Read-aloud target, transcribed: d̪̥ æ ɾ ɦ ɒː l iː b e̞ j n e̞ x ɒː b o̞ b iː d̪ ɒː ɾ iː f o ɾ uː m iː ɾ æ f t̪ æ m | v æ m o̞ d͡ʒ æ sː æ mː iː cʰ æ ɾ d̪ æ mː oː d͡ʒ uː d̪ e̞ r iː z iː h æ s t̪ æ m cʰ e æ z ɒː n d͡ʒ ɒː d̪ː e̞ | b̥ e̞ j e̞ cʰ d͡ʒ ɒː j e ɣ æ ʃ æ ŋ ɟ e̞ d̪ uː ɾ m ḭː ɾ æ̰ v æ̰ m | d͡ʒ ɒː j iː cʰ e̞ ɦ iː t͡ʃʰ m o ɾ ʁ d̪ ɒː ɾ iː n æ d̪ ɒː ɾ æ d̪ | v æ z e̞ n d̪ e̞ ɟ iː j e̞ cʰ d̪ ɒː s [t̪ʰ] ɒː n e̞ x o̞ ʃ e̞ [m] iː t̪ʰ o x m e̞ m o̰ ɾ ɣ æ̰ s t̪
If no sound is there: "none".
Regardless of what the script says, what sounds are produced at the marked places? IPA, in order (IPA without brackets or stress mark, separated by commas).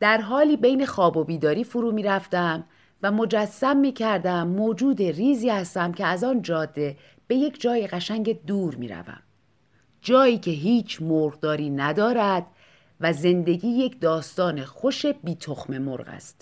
t̪, b